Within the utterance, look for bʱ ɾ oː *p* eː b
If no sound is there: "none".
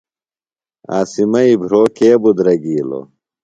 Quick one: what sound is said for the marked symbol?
k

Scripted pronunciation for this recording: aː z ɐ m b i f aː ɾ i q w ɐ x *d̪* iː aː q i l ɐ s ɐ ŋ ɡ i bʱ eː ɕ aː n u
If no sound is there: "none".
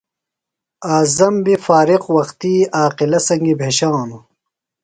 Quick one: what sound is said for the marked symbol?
t̪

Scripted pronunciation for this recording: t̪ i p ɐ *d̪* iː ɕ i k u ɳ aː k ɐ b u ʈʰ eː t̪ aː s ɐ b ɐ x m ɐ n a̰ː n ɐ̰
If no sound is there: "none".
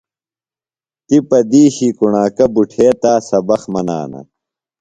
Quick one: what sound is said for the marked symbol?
d̪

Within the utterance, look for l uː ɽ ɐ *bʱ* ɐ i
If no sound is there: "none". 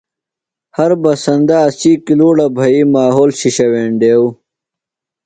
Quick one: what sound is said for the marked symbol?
bʱ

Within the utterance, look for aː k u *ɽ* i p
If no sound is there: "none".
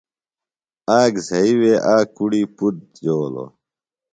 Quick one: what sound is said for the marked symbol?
ɽ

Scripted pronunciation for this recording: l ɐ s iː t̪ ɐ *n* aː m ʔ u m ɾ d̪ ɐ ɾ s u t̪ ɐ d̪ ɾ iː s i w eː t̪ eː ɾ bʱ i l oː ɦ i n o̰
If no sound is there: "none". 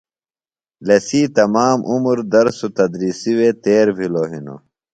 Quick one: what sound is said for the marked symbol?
m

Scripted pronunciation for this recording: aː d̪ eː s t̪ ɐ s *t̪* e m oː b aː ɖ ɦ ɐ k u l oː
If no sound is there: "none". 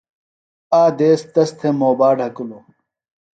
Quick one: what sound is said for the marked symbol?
t̪ʰ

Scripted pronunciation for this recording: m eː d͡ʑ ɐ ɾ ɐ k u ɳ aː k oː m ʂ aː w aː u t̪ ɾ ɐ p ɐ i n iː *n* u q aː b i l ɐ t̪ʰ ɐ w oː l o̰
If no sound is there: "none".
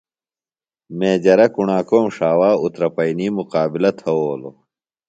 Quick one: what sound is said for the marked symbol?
m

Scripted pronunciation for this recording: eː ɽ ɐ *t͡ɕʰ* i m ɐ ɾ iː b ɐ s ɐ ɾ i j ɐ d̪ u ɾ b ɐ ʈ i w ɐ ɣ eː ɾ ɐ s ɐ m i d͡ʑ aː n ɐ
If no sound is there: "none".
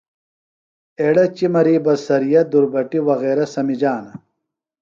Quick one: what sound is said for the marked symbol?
t͡ɕ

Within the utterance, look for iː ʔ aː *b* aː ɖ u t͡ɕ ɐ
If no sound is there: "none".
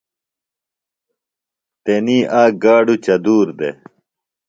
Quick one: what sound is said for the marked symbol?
ɡ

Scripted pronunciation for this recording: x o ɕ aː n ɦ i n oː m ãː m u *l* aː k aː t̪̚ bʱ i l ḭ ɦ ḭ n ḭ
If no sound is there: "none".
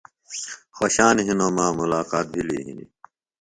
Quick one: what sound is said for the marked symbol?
l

